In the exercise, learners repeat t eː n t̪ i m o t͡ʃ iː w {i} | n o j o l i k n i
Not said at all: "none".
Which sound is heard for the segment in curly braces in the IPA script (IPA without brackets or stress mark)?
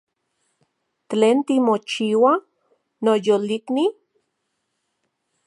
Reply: a